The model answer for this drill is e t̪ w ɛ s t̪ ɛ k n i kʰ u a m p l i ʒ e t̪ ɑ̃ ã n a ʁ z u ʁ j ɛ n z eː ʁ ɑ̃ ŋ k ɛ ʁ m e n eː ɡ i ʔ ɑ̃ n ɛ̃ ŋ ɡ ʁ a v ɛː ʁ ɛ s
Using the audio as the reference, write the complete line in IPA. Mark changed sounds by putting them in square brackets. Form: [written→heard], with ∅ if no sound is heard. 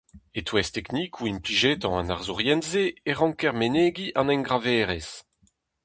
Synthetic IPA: e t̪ w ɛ s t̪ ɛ k n i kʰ u [a→i] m p l i ʒ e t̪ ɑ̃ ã n a ʁ z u ʁ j ɛ n z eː ʁ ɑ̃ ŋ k ɛ ʁ m e n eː ɡ i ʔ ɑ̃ n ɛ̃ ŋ ɡ ʁ a v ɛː ʁ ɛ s